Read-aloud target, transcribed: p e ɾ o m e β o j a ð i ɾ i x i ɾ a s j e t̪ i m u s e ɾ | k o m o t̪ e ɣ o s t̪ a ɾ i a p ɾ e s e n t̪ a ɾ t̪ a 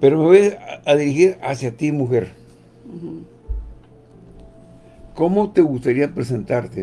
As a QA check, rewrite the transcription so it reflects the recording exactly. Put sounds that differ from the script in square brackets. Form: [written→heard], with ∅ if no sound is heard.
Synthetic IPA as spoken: p e ɾ o m e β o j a ð i ɾ i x i ɾ a s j [e→a] t̪ i m u [s→x] e ɾ | k o m o t̪ e ɣ [o→u] s t̪ a ɾ i a p ɾ e s e n t̪ a ɾ t̪ [a→e]